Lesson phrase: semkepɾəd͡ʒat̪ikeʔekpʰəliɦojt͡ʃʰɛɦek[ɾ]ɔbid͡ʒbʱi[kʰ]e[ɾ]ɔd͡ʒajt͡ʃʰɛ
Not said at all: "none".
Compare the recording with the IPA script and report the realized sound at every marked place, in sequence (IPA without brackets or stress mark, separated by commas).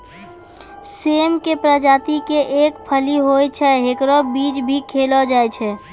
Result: ɾ, kʰ, l